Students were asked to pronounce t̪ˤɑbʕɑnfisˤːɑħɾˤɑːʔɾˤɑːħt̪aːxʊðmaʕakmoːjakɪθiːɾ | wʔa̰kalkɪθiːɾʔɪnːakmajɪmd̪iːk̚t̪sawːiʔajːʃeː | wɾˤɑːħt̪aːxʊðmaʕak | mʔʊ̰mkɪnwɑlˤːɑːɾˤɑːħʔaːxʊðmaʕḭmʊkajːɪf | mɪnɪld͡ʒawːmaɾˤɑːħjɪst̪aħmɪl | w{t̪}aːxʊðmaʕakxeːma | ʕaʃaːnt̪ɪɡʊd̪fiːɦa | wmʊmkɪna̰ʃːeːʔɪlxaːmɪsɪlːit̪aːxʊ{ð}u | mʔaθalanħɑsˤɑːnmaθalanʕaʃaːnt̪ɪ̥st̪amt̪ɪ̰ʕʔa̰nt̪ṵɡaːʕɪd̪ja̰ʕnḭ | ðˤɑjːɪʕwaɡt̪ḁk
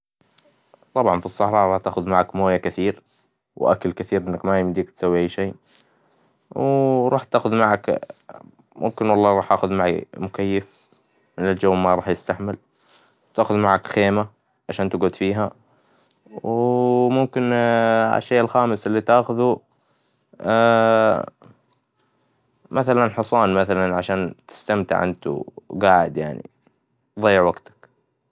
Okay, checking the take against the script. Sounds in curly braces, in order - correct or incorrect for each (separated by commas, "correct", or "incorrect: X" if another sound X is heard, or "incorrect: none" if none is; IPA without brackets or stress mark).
correct, correct